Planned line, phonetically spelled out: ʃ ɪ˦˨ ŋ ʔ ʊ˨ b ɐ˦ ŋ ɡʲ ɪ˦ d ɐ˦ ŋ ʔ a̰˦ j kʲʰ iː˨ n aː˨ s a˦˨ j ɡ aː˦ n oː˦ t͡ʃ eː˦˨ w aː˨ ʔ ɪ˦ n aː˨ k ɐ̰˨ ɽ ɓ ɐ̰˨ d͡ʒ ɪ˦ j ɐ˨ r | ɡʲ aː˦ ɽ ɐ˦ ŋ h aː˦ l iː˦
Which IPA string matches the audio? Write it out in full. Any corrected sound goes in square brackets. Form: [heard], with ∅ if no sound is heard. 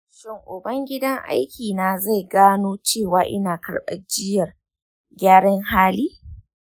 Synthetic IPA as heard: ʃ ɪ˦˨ ŋ ʔ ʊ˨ b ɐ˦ ŋ ɡʲ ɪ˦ d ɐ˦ ŋ ʔ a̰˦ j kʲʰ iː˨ n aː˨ [z] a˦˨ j ɡ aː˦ n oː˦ t͡ʃ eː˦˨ w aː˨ ʔ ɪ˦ n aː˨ k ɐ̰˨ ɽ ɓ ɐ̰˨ d͡ʒ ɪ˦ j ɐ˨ r | ɡʲ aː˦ ɽ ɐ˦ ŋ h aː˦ l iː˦